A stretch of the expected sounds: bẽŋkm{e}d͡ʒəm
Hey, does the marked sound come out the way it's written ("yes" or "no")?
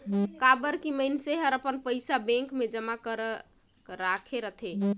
yes